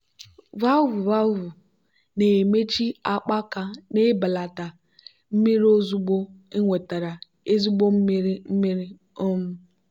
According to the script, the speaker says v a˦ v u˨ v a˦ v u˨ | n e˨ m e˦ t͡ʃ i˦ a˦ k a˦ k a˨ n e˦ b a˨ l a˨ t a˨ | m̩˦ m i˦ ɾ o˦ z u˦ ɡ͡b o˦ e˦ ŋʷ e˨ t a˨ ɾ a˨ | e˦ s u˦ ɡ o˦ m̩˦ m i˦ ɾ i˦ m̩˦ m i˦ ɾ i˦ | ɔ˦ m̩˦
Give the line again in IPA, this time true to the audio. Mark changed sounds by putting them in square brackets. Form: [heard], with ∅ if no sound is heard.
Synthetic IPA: v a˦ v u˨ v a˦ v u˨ | n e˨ m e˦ t͡ʃ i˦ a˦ [k͡p] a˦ k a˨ n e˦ b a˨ l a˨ t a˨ | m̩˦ m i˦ ɾ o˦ z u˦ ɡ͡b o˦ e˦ ŋʷ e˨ t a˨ ɾ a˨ | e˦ [z] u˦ [ɡ͡b] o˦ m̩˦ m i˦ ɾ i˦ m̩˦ m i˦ ɾ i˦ | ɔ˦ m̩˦